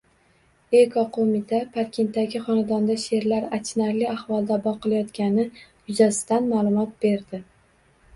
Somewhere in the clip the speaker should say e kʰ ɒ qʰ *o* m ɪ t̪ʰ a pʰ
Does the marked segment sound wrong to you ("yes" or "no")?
no